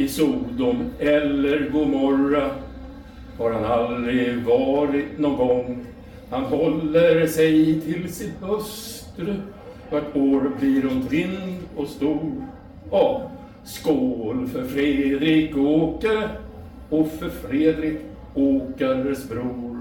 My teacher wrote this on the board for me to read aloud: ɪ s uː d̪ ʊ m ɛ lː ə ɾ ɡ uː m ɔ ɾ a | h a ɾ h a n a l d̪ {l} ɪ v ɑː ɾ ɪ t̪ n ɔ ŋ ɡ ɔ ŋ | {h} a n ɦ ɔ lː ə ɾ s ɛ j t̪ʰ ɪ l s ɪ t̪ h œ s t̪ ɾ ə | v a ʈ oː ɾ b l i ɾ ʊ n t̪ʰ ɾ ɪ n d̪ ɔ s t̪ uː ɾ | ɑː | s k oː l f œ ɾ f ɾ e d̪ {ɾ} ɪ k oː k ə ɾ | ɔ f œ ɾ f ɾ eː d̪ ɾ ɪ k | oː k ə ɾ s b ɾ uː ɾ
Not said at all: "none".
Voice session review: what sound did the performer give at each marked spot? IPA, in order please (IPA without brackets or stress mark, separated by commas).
ɾ, h, ɾ